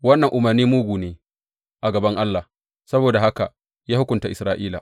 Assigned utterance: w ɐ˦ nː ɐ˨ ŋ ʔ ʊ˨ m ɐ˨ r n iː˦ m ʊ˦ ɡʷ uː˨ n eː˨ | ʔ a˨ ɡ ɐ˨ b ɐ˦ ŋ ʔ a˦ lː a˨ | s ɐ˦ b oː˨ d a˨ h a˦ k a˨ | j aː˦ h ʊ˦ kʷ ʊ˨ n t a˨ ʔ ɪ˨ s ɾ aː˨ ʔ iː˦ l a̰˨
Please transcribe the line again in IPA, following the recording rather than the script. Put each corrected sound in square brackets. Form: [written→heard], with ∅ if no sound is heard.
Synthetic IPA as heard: w ɐ˦ nː ɐ˨ ŋ ʔ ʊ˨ m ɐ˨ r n iː˦ m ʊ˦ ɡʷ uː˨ n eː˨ | ʔ a˨ ɡ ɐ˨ b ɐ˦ ŋ ʔ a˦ lː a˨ | s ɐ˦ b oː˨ d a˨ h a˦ k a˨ | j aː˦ h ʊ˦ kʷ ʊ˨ n t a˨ ʔ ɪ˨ s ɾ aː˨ ʔ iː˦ l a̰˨